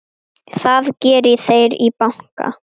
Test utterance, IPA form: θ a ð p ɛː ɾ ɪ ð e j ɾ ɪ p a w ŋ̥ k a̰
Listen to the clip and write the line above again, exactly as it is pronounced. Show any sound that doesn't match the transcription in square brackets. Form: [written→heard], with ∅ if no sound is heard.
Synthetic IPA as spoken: θ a ð [p→c] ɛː ɾ ɪ [ð→θ] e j ɾ [ɪ→i] p a w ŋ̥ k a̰